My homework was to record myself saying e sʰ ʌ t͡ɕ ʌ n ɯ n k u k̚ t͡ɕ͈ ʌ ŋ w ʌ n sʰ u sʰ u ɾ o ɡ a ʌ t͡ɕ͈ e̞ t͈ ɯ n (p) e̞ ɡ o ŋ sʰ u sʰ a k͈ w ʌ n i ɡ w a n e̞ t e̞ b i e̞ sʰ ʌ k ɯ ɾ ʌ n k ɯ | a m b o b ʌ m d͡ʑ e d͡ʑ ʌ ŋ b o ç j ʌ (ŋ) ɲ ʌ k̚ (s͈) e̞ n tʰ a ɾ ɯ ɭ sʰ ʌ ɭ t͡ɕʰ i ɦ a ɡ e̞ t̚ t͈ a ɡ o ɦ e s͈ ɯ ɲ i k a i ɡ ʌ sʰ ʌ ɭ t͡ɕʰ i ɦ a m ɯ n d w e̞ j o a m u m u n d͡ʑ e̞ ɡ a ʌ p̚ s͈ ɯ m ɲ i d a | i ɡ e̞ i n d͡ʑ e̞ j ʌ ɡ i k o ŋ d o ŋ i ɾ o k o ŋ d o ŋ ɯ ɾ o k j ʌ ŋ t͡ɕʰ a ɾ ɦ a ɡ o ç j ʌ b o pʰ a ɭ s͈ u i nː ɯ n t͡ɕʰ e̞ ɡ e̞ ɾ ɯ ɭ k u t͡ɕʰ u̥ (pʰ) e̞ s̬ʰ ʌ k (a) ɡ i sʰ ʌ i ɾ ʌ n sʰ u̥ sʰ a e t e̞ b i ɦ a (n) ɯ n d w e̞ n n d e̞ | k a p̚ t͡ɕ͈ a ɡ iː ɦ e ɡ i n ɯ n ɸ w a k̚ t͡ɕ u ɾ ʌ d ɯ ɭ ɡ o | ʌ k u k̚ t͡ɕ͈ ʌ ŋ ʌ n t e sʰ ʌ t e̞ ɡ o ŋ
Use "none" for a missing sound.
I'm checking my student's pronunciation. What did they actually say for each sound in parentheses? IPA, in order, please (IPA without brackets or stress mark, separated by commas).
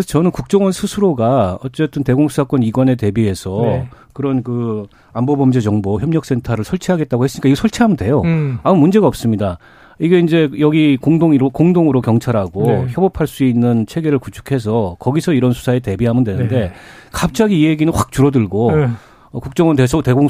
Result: t, m, s͈, kʰ, ʌ, m